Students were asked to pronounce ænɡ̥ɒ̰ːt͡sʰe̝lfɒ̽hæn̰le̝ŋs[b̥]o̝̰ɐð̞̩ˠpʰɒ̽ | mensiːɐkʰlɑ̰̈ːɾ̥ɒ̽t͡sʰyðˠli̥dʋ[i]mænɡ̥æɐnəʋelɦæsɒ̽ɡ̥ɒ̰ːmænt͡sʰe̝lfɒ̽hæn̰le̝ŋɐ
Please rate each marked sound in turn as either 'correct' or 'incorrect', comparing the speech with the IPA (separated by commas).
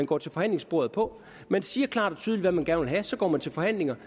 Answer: correct, incorrect